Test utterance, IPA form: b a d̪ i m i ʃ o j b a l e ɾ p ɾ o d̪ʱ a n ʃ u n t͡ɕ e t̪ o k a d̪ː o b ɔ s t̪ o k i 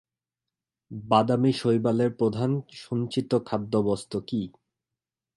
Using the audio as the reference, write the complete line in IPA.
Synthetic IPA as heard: b a d̪ a m i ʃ o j b a l e ɾ p ɾ o d̪ʱ a n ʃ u n t͡ɕ i t̪ o kʰ a d̪ː o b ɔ s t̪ o k i

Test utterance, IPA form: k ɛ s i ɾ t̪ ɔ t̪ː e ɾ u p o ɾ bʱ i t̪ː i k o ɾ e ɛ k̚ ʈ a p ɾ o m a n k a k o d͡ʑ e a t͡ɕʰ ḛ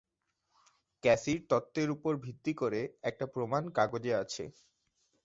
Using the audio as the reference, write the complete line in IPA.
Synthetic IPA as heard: k ɛ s i ɾ t̪ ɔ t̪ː e ɾ u p o ɾ bʱ i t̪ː i k o ɾ e ɛ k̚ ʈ a p ɾ o m a n k a ɡ o d͡ʑ e a t͡ɕʰ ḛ

